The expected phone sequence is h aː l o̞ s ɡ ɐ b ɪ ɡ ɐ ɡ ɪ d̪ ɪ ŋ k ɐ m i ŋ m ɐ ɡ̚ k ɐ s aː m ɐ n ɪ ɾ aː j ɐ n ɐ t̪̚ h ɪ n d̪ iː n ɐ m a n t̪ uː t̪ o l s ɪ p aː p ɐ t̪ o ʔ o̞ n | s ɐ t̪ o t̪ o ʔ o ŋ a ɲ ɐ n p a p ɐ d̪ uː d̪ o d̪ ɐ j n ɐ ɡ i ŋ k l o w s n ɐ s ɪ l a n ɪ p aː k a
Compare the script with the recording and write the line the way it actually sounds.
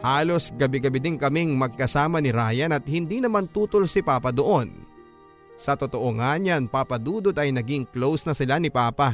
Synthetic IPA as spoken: h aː l o̞ s ɡ ɐ b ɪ ɡ ɐ b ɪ d̪ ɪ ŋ k ɐ m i ŋ m ɐ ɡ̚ k ɐ s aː m ɐ n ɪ ɾ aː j ɐ n ɐ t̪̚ h ɪ n d̪ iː n ɐ m a n t̪ uː t̪ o l s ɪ p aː p ɐ d̪ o ʔ o̞ n | s ɐ t̪ o t̪ o ʔ o ŋ a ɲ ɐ n p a p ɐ d̪ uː d̪ o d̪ ɐ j n ɐ ɡ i ŋ k l o w s n ɐ s ɪ l a n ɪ p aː p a